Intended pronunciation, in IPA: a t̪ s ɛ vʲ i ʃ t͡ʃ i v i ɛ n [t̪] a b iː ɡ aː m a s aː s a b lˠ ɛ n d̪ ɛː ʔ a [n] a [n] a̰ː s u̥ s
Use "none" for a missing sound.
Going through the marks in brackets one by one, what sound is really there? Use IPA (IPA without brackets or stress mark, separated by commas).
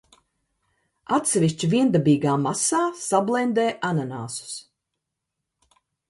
d̪, n, n